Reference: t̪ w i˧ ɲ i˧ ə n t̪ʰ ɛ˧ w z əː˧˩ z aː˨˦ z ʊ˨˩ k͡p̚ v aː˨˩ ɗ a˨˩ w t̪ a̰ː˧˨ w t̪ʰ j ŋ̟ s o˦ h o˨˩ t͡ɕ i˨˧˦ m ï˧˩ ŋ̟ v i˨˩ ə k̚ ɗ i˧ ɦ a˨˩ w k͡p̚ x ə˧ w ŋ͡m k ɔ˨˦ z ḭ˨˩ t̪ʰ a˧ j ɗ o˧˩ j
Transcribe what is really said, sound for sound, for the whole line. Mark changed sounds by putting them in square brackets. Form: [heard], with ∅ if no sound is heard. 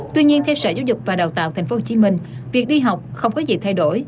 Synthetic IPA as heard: t̪ w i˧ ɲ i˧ ə n t̪ʰ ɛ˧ w [s] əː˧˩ z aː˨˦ z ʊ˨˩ k͡p̚ v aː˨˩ ɗ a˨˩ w t̪ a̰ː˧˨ w t̪ʰ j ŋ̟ [f] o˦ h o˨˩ t͡ɕ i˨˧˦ m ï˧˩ ŋ̟ v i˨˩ ə k̚ ɗ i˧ ɦ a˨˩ w k͡p̚ x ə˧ w ŋ͡m k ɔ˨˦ z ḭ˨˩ t̪ʰ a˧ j ɗ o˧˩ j